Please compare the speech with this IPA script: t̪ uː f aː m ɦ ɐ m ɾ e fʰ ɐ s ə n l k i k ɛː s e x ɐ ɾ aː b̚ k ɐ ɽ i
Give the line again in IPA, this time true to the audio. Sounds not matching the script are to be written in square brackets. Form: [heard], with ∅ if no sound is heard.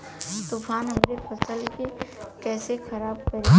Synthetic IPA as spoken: t̪ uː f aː [n] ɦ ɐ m ɾ e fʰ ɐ s ə [∅] l k [e] k ɛː s e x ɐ ɾ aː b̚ k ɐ [ɾ] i